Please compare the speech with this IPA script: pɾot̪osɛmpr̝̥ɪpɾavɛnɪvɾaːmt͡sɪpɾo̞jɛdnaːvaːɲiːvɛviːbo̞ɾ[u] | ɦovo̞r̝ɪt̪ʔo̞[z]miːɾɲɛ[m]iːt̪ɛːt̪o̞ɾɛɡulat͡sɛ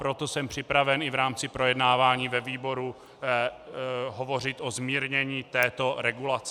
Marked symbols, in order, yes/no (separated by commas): yes, yes, no